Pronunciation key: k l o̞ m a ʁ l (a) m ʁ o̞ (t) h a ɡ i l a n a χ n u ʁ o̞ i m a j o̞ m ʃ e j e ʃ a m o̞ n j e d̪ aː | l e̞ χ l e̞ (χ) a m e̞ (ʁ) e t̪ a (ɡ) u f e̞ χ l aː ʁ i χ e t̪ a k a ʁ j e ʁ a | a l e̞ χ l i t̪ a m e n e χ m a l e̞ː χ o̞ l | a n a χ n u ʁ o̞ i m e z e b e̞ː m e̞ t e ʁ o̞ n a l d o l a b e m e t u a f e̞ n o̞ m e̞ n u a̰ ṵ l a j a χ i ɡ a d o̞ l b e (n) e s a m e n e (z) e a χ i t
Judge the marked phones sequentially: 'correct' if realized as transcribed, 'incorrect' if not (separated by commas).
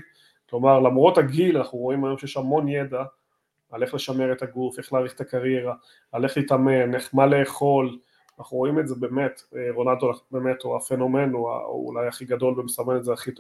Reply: correct, correct, incorrect, correct, correct, incorrect, correct